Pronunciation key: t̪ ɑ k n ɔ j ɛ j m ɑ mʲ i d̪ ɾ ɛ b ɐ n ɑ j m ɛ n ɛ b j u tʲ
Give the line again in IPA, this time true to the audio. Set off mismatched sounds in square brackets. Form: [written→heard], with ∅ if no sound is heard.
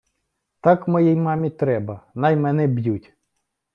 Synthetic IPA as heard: t̪ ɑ k [n→m] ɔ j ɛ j m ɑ mʲ i [d̪→t̪] ɾ ɛ b ɐ n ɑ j m ɛ n ɛ b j u tʲ